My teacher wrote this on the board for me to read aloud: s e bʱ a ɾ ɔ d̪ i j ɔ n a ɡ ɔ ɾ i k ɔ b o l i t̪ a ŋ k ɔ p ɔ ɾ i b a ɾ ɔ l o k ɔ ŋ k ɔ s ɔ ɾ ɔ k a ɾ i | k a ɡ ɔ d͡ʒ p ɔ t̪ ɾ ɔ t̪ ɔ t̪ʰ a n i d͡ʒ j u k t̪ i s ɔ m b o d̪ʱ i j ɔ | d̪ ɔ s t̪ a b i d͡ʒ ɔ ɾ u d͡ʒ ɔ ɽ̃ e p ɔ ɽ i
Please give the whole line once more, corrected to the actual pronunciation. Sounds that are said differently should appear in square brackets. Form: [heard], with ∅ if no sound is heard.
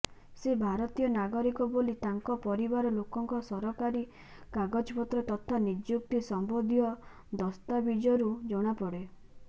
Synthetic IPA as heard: s e bʱ a ɾ ɔ [t̪] i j ɔ n a ɡ ɔ ɾ i k ɔ b o l i t̪ a ŋ k ɔ p ɔ ɾ i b a ɾ ɔ l o k ɔ ŋ k ɔ s ɔ ɾ ɔ k a ɾ i | k a ɡ ɔ d͡ʒ p ɔ t̪ ɾ ɔ t̪ ɔ t̪ʰ a n i d͡ʒ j u k t̪ i s ɔ m b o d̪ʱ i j ɔ | d̪ ɔ s t̪ a b i d͡ʒ ɔ ɾ u d͡ʒ ɔ ɽ̃ [a] p ɔ ɽ [e]